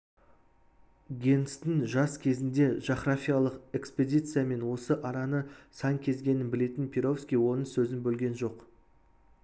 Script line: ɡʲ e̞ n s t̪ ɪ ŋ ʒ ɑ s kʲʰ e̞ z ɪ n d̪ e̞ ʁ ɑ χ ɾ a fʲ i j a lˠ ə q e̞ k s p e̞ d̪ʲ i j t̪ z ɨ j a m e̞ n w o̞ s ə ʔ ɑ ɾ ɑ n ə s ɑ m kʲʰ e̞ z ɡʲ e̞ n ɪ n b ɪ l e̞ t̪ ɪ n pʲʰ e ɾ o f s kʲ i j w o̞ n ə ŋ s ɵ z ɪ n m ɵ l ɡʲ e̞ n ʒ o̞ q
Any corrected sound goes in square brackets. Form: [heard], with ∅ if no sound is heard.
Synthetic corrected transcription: ɡʲ e̞ n s t̪ ɪ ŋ ʒ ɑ s kʲʰ e̞ z ɪ n d̪ e̞ [ʒ] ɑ χ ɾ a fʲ i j a lˠ ə q e̞ k s p e̞ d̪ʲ i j t̪ [s] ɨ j a m e̞ n w o̞ s ə ʔ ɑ ɾ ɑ n ə s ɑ [ŋ] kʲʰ e̞ z ɡʲ e̞ n ɪ n b ɪ l e̞ t̪ ɪ n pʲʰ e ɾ o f s kʲ i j w o̞ n ə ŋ s ɵ z ɪ n [b] ɵ l ɡʲ e̞ n ʒ o̞ q